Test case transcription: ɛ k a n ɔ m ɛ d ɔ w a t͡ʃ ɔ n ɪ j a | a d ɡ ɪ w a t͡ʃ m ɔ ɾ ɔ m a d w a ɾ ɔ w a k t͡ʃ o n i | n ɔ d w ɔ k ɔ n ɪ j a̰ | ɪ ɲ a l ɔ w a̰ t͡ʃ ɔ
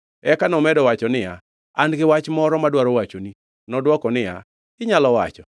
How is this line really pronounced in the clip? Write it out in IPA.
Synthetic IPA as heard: ɛ k a n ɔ m ɛ d ɔ w a t͡ʃ ɔ n ɪ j a | a n ɡ ɪ w a t͡ʃ m ɔ ɾ ɔ m a d w a ɾ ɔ w a t͡ʃ o n i | n ɔ d w ɔ k ɔ n ɪ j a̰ | ɪ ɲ a l ɔ w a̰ t͡ʃ ɔ